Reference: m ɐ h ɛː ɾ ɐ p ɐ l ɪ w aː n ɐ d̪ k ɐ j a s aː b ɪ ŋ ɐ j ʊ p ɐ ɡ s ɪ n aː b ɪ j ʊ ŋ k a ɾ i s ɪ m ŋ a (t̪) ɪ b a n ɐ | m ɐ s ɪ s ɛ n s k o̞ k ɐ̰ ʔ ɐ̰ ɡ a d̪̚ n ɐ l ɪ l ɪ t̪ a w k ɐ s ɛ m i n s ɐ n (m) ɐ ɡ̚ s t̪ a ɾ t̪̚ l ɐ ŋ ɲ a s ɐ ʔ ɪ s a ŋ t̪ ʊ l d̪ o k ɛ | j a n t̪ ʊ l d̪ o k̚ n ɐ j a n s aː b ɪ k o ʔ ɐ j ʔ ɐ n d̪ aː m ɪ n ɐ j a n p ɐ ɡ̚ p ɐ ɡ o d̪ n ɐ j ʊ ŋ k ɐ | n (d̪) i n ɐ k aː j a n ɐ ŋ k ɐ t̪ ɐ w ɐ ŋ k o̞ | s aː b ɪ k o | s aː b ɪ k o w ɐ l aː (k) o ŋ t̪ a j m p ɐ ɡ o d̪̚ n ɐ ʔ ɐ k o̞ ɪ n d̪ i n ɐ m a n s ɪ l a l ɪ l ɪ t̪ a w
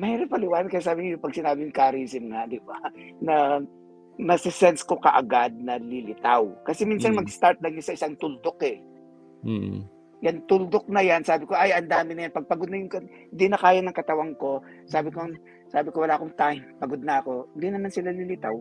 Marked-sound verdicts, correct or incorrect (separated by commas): incorrect, correct, correct, correct